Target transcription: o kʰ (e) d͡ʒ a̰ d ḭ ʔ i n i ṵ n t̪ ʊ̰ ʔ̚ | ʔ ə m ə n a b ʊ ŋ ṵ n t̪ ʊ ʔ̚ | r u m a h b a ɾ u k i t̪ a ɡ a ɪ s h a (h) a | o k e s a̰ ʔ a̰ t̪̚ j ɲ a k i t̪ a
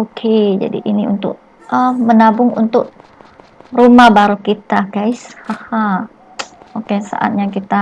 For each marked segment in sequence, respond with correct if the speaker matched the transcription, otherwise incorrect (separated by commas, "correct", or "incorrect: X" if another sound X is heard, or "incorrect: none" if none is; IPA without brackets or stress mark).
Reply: correct, correct